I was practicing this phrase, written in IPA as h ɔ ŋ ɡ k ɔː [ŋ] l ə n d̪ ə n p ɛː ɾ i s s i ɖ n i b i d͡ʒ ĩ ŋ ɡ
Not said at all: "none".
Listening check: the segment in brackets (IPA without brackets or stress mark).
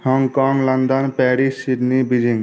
ŋ